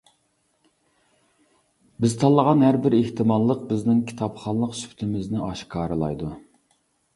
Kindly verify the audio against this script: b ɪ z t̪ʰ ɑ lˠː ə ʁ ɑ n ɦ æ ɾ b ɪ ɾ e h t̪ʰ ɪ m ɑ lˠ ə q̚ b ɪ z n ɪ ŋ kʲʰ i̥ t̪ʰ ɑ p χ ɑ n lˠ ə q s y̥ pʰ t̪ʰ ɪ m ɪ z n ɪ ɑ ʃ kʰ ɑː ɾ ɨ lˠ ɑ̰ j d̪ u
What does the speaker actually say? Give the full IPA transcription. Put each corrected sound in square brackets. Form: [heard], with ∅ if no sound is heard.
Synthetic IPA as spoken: b ɪ z t̪ʰ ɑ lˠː ə ʁ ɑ n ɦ æ ɾ b ɪ ɾ e h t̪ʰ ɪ m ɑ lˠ ə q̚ b ɪ z n ɪ ŋ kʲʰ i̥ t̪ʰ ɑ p χ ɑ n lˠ ə q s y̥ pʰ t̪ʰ ɪ m ɪ z n ɪ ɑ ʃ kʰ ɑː ɾ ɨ lˠ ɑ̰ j d̪ u